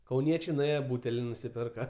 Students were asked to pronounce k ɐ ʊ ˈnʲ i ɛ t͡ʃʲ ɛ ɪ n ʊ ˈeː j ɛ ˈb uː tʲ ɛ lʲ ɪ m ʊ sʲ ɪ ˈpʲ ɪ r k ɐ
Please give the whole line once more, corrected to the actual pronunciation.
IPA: k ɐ ʊ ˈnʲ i ɛ t͡ʃʲ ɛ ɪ n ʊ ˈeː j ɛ ˈb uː tʲ ɛ lʲ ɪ n ʊ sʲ ɪ ˈpʲ ɪ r k ɐ